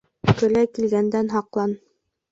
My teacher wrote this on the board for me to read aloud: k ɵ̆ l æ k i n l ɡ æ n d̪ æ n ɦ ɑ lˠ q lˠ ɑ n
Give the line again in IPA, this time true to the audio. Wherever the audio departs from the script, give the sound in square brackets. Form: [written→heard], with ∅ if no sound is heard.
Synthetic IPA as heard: k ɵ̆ l æ k i [n→∅] l ɡ æ n d̪ æ n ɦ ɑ [lˠ→∅] q lˠ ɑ n